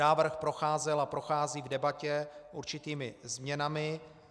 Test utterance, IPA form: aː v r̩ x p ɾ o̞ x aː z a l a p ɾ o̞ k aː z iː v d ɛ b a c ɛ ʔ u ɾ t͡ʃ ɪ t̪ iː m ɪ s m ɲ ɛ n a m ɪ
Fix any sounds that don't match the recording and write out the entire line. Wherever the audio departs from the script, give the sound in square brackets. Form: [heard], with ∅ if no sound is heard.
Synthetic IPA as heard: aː v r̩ x p ɾ o̞ x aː z [ɛ] l a p ɾ o̞ [x] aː z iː v d ɛ b a c ɛ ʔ u ɾ t͡ʃ ɪ t̪ iː m ɪ [z] m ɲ ɛ n a m ɪ